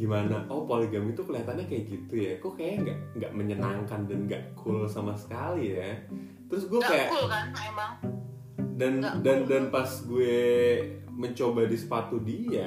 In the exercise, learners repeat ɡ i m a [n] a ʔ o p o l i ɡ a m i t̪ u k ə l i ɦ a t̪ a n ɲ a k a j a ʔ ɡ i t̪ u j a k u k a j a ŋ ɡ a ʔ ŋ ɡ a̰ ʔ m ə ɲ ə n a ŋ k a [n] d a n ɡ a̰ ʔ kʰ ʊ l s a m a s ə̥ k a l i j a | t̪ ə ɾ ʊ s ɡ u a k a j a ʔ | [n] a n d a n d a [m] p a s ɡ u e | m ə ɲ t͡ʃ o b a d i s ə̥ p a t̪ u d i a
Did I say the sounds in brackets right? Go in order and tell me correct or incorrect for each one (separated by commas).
correct, correct, incorrect, incorrect